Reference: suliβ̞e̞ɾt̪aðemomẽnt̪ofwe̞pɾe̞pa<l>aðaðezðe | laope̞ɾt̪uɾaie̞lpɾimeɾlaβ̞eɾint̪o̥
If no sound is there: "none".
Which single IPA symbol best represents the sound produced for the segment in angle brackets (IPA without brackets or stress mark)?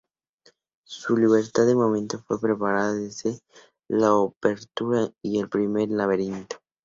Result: ɾ